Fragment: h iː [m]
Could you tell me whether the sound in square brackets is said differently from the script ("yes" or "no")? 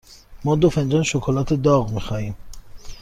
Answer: no